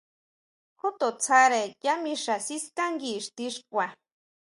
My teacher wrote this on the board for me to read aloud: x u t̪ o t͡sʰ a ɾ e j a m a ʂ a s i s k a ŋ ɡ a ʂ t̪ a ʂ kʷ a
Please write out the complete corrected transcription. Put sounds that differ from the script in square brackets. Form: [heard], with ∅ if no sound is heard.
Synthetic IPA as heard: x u t̪ o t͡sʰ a ɾ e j a m [i] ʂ a s i s k a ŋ ɡ [i] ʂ t̪ [i] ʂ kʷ a